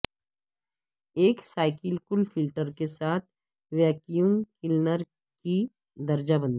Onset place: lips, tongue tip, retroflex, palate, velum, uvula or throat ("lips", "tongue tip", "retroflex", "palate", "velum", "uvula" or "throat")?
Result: velum